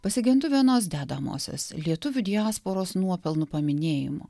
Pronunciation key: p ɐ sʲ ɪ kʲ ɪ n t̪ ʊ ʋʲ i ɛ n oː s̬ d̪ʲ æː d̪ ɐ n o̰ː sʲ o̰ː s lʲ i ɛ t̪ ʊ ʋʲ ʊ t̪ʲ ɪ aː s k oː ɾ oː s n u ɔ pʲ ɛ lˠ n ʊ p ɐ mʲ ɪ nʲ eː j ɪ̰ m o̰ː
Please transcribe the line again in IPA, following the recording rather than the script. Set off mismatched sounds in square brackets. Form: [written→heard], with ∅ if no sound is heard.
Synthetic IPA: p ɐ sʲ ɪ [kʲ→ɡʲ] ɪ n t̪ ʊ ʋʲ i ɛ n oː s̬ d̪ʲ æː d̪ ɐ [n→m] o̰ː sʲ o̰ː s lʲ i ɛ t̪ ʊ ʋʲ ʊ [t̪ʲ→d̪ʲ] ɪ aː s [k→p] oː ɾ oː s n u ɔ pʲ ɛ lˠ n ʊ p ɐ mʲ ɪ nʲ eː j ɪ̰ m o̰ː